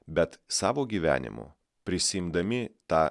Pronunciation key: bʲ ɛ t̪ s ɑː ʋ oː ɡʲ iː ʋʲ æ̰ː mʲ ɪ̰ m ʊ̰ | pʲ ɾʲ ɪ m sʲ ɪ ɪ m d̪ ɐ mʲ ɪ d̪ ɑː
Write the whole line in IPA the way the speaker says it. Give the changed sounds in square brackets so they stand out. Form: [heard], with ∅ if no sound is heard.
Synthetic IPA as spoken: bʲ ɛ t̪ s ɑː ʋ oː ɡʲ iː ʋʲ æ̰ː [nʲ] ɪ̰ m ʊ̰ | pʲ ɾʲ ɪ [∅] sʲ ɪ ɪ m d̪ ɐ mʲ ɪ [t̪] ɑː